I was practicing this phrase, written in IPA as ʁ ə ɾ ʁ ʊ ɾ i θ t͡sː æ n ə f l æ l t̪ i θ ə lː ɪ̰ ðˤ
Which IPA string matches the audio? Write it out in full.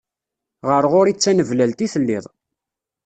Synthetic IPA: ʁ ə ɾ ʁ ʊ ɾ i t͡sː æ n ə v l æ l t̪ i θ ə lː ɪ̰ ðˤ